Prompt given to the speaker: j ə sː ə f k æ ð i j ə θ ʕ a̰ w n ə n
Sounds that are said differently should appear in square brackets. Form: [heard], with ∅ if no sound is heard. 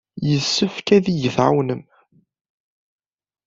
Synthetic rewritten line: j ə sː ə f k æ ð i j ə θ ʕ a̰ w n ə [m]